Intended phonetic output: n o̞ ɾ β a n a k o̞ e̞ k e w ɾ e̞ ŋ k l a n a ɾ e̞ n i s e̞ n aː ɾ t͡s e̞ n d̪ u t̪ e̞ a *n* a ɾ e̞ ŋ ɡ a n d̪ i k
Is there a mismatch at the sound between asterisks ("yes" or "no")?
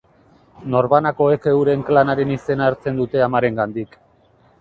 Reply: yes